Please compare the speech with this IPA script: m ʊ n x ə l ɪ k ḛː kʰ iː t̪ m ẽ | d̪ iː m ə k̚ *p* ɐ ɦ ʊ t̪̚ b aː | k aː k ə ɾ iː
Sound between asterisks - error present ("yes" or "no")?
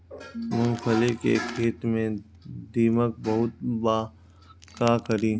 yes